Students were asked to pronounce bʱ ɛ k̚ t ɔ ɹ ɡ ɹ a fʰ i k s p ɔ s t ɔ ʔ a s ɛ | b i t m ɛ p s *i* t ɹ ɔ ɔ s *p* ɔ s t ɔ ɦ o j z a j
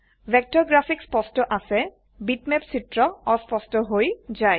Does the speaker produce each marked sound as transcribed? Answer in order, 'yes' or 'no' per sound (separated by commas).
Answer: yes, yes